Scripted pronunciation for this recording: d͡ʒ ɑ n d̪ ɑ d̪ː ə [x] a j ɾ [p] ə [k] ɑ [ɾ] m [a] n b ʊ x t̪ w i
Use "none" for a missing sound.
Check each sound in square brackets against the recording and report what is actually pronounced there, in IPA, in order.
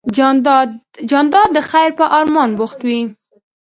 x, p, ʔ, ɾ, ɑ

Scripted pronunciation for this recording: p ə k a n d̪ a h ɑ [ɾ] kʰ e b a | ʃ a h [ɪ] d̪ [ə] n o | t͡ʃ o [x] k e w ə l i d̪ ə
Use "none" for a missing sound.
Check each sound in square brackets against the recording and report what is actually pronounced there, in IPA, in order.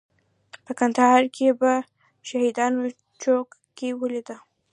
ɾ, i, ɑ, k

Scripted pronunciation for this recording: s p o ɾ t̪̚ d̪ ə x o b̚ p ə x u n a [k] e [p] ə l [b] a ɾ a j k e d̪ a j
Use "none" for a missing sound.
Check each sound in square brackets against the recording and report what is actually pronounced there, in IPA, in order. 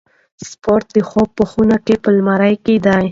k, p, m

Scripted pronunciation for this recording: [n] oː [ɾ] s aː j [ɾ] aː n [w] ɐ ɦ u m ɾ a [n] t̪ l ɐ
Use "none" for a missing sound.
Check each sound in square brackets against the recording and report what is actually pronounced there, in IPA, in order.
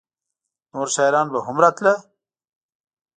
n, ɾ, ɾ, b, none

